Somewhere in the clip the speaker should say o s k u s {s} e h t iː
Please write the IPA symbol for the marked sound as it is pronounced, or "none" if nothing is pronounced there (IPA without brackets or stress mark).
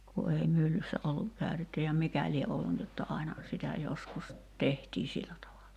t